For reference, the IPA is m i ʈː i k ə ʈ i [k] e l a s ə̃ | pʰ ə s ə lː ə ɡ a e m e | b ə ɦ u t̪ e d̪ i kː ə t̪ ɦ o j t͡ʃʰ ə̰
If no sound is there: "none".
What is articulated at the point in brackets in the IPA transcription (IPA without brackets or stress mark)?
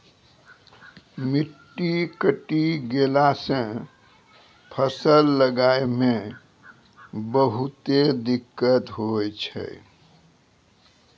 ɡ